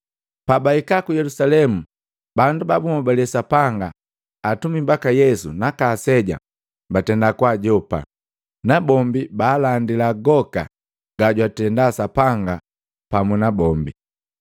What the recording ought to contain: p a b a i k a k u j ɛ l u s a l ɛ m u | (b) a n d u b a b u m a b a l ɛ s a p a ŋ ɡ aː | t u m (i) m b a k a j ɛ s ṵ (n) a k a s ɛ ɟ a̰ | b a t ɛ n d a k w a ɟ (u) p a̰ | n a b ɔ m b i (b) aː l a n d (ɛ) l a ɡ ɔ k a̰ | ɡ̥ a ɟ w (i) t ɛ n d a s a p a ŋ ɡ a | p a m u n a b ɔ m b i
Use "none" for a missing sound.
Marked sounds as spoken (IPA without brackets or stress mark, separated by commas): b, i, n, ɔ, b, i, a